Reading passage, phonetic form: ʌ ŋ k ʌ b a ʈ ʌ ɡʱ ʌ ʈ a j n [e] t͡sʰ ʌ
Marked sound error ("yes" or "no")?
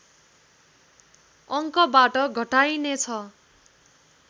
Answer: no